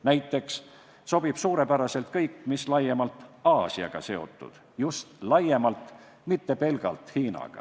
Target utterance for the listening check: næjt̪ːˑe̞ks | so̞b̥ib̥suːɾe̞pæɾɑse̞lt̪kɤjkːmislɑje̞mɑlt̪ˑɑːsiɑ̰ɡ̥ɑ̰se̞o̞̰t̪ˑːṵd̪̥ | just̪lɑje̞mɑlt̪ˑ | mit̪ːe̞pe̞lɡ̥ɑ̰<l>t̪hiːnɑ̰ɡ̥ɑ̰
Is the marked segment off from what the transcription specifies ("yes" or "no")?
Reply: no